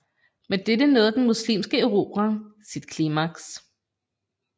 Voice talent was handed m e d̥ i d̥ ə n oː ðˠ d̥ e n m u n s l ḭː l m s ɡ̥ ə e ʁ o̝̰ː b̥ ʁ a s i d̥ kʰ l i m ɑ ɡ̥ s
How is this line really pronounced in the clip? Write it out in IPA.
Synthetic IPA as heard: m e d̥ e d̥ ə n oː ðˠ d̥ e n m u s l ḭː m s ɡ̥ ə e ʁ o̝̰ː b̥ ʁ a s i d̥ kʰ l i m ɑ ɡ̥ s